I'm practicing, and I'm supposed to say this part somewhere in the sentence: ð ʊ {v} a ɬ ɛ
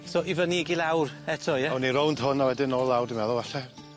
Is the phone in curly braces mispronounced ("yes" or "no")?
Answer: no